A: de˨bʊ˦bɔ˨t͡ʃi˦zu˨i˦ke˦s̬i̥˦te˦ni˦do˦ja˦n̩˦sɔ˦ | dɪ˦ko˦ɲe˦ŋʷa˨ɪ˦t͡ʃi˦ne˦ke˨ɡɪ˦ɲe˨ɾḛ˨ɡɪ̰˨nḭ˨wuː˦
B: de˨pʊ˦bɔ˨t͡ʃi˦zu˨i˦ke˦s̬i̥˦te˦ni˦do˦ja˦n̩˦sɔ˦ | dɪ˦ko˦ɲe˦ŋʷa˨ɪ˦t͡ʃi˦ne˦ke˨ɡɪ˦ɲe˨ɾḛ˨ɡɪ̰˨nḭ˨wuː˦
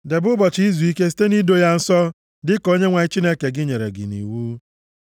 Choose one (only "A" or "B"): A